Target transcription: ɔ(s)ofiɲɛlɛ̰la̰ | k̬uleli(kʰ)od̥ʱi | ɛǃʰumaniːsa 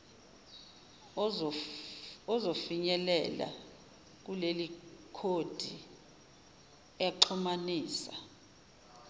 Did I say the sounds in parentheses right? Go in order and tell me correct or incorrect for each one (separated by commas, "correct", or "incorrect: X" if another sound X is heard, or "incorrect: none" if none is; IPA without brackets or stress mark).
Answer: incorrect: z, correct